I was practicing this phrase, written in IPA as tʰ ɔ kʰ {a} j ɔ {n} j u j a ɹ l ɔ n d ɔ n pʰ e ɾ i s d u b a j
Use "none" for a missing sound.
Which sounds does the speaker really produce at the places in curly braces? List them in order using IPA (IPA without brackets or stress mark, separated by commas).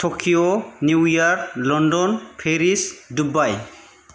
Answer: i, n